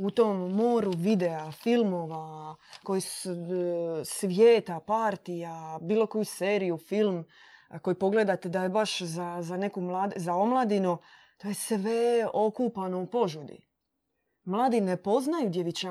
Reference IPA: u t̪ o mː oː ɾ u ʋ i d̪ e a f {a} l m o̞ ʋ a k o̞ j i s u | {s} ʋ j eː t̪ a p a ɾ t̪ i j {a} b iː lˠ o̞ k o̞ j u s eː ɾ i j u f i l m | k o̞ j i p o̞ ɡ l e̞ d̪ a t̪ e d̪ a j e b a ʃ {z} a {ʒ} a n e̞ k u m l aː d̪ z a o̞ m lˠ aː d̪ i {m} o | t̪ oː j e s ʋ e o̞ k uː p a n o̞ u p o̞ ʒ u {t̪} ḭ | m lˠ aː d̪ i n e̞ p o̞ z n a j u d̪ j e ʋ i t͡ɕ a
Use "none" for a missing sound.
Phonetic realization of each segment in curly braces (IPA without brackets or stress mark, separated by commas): i, s, a, z, z, n, d̪